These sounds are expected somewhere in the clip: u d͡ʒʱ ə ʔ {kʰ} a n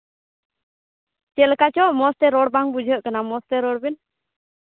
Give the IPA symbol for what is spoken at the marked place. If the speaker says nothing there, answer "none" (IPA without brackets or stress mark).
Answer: k